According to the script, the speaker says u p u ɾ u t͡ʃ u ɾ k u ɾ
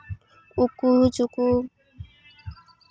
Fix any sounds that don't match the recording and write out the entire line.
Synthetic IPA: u k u ɾ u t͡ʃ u k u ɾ